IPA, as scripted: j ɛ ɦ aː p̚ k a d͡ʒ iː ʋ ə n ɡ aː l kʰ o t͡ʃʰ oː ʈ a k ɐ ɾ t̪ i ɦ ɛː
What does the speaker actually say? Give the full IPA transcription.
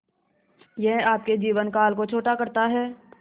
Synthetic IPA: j ɛ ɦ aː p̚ k e d͡ʒ iː ʋ ə n k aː l k o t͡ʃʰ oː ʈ a k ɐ ɾ t̪ a ɦ ɛː